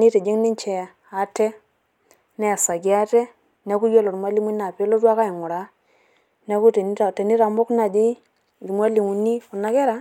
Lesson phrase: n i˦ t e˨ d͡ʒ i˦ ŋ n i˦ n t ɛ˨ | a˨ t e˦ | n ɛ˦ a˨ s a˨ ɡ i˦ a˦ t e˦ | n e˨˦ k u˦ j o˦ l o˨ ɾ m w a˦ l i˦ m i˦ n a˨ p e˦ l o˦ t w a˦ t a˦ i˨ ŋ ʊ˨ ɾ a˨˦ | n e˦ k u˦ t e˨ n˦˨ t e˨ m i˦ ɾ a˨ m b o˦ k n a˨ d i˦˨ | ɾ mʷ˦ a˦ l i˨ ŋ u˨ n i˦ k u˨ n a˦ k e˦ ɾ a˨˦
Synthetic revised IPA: n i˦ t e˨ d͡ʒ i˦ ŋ n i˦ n t͡ʃ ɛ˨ | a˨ t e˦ | n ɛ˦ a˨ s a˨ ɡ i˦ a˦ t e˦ | n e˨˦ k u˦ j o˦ l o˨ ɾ m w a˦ l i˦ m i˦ n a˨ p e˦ l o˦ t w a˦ k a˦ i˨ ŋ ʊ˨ ɾ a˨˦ | n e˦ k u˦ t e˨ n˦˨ t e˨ n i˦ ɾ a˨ m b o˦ k n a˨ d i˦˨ | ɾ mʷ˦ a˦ l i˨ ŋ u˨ n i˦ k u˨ n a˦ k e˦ ɾ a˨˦